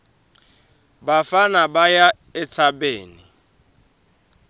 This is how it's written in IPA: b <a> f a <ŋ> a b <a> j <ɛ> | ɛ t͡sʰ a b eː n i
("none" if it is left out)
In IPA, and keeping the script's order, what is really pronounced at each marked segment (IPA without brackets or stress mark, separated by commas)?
a, n, a, a